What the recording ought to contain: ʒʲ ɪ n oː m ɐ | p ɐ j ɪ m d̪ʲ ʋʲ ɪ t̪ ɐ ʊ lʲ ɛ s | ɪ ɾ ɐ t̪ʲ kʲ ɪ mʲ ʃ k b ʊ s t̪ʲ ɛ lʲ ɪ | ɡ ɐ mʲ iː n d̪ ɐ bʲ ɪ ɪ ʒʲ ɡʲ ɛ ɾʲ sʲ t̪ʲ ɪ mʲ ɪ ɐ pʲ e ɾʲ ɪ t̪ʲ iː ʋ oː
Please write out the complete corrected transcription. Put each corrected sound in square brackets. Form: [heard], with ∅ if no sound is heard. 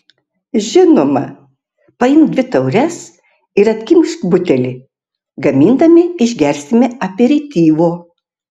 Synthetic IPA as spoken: ʒʲ ɪ n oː m ɐ | p ɐ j ɪ m d̪ʲ ʋʲ ɪ t̪ ɐ ʊ [ɾʲ] ɛ s | ɪ ɾ ɐ t̪ʲ kʲ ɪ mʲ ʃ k b ʊ [∅] t̪ʲ ɛ lʲ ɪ | ɡ ɐ mʲ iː n d̪ ɐ [mʲ] ɪ ɪ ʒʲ ɡʲ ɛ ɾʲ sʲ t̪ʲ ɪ mʲ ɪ ɐ pʲ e ɾʲ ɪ t̪ʲ iː ʋ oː